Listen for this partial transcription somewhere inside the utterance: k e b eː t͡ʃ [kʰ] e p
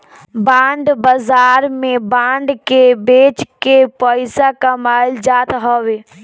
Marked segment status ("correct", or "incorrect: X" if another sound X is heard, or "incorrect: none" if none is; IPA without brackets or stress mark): incorrect: k